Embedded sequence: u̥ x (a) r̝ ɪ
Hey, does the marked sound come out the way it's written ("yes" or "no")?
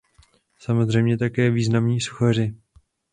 yes